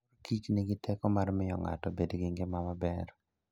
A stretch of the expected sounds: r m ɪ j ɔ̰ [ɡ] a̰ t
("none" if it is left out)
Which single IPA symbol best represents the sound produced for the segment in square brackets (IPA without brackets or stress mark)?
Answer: ŋ